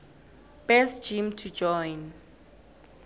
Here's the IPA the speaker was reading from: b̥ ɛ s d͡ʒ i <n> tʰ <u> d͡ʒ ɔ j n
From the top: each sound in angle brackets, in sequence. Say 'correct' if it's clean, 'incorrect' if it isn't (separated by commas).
incorrect, correct